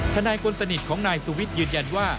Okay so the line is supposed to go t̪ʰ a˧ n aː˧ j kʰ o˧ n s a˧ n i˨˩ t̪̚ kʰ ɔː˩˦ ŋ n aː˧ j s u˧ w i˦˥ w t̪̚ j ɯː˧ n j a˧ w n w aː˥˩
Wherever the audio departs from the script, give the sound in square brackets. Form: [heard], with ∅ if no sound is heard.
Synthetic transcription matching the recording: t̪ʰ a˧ n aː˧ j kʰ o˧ n s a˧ n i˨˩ t̪̚ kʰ ɔː˩˦ ŋ n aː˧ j s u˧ w i˦˥ [∅] t̪̚ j ɯː˧ n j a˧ [∅] n w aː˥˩